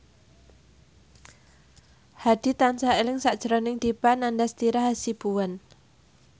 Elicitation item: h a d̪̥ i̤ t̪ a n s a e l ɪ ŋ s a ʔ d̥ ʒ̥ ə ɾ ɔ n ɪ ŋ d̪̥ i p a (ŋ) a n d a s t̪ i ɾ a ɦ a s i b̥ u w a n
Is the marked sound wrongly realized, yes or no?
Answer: yes